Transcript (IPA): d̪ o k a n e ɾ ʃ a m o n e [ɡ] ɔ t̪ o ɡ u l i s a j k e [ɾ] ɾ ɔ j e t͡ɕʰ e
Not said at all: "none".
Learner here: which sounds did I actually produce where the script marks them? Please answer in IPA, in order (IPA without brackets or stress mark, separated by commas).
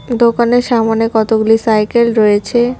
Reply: k, l